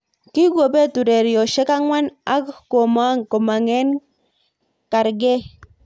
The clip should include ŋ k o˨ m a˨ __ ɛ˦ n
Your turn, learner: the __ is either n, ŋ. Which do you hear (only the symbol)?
ŋ